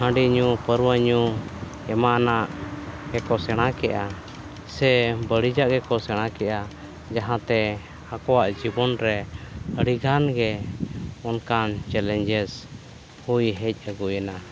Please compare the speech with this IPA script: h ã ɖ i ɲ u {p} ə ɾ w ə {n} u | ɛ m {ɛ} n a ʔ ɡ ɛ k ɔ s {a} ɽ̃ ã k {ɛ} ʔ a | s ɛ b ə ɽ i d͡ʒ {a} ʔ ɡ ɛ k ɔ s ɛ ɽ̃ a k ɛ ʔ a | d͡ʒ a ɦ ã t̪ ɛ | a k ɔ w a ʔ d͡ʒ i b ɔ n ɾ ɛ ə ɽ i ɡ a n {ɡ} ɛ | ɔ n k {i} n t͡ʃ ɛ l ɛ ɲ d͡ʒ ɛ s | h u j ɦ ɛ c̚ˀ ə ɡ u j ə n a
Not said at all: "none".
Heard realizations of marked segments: p, ɲ, a, ɛ, ɛ, a, ɡ, a

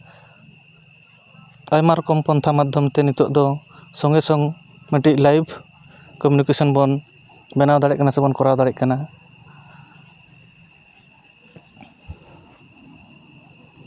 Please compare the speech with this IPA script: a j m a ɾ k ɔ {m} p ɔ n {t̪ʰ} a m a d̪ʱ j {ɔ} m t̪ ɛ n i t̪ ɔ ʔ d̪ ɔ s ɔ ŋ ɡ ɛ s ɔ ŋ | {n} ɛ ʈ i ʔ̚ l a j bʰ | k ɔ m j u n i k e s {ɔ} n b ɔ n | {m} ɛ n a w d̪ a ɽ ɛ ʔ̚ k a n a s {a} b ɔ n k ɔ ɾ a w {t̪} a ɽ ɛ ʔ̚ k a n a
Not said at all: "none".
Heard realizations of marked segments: m, t̪ʰ, ɔ, m, ɔ, b, ɛ, d̪

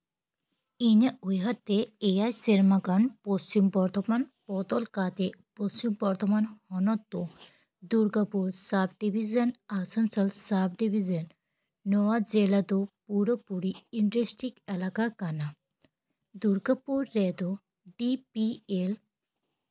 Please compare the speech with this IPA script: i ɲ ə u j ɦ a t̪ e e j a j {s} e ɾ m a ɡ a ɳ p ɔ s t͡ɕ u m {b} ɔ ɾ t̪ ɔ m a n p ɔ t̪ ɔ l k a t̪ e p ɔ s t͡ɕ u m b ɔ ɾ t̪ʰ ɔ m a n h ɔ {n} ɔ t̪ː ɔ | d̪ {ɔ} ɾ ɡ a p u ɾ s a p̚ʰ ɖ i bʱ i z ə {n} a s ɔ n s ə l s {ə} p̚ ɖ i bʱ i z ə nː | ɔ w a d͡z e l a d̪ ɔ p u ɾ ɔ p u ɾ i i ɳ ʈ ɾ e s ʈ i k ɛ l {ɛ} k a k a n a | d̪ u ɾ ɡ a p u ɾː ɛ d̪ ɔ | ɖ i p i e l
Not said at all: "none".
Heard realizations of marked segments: s, b, n, u, n, a, a

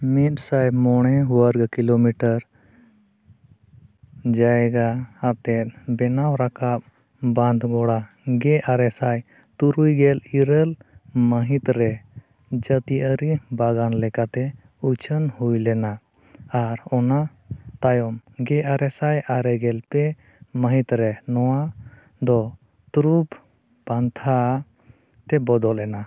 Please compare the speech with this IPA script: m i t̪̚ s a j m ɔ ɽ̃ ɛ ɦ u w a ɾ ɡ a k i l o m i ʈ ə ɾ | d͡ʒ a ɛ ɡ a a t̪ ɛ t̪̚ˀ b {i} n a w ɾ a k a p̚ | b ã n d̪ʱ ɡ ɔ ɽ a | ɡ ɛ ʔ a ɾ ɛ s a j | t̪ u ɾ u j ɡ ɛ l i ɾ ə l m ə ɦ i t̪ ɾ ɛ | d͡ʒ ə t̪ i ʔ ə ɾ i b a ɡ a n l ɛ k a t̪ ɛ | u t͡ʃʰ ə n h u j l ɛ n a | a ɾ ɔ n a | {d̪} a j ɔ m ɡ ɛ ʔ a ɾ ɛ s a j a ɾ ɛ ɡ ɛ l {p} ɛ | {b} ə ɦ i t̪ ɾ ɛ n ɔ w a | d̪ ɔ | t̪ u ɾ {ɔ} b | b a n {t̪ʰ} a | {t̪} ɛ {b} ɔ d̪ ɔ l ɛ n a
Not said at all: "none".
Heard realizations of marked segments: ɛ, t̪, p, m, u, t̪ʰ, t̪, b

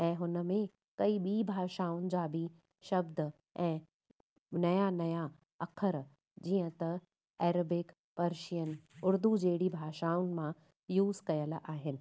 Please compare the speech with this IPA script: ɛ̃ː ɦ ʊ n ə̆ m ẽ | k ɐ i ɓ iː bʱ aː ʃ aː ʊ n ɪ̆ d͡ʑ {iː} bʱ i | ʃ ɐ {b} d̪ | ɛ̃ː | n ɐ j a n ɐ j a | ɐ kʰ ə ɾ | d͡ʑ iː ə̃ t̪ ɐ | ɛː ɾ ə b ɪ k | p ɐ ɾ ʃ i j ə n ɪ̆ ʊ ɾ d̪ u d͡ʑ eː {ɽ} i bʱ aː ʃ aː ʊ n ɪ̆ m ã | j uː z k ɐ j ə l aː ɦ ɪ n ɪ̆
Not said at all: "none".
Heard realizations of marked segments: aː, b, ɽ

